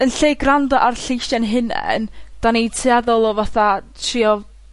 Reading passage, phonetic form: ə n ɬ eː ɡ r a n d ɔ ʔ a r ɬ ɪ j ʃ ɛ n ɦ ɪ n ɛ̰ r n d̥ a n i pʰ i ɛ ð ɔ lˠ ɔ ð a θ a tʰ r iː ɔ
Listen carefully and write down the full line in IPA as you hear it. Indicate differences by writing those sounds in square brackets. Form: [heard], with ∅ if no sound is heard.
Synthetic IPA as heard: ə n ɬ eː ɡ r a n d ɔ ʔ a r ɬ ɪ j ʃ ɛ n ɦ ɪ n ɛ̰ [∅] n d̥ a n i [tʰ] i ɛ ð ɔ lˠ ɔ [v] a θ a tʰ r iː ɔ